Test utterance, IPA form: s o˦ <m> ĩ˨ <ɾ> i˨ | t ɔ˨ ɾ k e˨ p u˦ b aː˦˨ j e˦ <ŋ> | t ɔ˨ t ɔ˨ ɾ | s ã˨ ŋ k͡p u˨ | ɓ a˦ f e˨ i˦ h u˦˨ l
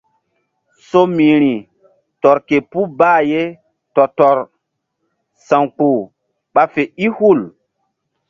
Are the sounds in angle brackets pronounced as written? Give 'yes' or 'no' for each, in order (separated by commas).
yes, yes, no